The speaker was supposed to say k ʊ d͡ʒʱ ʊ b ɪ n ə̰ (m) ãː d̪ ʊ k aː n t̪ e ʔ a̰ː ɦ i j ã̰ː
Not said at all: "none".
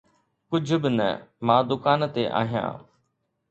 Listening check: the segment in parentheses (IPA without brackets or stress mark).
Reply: m